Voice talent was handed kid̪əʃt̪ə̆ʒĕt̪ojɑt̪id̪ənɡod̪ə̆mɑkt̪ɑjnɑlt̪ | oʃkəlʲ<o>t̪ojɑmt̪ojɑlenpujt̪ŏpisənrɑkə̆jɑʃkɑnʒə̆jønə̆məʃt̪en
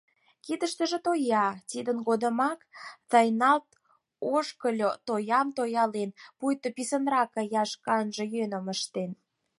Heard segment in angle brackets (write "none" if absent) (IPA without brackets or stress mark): o